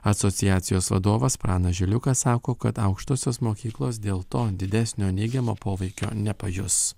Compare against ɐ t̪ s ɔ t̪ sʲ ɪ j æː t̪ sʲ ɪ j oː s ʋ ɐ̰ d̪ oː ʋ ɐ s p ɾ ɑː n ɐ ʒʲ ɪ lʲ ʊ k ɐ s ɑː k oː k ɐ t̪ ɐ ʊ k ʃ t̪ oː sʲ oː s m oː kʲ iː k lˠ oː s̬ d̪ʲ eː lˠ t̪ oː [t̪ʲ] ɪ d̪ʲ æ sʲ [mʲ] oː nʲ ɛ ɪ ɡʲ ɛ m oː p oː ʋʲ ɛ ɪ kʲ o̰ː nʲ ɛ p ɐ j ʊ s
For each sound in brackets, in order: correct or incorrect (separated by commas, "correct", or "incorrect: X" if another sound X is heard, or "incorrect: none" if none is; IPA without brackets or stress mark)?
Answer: incorrect: d̪ʲ, incorrect: nʲ